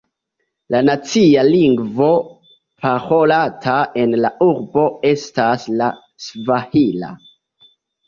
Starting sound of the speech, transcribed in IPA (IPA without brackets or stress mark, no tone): l